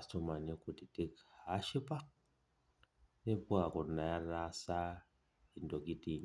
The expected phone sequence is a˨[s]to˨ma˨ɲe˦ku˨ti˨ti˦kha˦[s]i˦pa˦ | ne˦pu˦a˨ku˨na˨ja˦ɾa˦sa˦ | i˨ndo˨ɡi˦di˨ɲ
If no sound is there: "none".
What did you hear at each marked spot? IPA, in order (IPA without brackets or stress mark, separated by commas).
s, ʃ